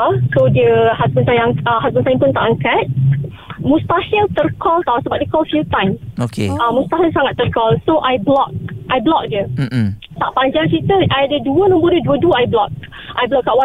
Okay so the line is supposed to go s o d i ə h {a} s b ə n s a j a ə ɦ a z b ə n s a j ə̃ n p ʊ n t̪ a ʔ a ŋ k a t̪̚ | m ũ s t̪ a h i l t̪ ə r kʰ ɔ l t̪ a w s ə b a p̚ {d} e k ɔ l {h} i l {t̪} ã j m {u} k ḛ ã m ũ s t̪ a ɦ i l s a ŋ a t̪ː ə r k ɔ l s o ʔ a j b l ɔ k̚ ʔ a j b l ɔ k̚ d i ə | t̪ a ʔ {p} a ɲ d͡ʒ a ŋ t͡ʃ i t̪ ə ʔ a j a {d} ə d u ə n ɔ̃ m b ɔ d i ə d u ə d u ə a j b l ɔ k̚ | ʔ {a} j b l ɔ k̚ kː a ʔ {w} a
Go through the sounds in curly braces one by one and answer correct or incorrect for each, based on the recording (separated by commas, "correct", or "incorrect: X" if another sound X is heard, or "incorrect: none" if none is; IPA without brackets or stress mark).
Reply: correct, correct, incorrect: f, correct, incorrect: o, correct, correct, correct, correct